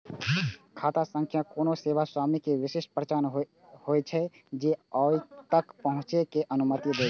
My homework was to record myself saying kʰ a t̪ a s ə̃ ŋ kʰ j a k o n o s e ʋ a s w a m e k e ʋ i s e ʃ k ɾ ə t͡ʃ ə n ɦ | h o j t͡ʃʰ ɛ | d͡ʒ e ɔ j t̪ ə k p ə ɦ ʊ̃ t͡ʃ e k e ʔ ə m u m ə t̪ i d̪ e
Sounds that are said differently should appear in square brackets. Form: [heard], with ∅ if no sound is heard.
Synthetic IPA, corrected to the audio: kʰ a t̪ a s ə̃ ŋ kʰ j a k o n o s e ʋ a s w a m [i] k e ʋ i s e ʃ [p] ɾ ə t͡ʃ [a] n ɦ | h o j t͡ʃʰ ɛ | d͡ʒ e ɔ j t̪ ə k p ə ɦ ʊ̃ t͡ʃ e k e ʔ ə [n] u m ə t̪ i d̪ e